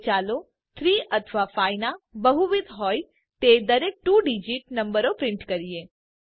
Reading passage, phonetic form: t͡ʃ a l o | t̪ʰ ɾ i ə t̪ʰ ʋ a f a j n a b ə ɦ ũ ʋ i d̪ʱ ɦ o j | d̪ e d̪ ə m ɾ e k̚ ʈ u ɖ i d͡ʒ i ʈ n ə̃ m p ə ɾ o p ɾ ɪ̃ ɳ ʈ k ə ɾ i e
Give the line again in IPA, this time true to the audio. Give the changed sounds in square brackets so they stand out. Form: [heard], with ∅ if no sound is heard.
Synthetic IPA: t͡ʃ a l o | t̪ʰ ɾ i ə t̪ʰ ʋ a f a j n a b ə ɦ [u] ʋ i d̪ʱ ɦ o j | [t̪] e d̪ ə [∅] ɾ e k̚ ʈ u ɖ i d͡ʒ i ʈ n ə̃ m [b] ə ɾ o p ɾ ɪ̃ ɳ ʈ k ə ɾ i e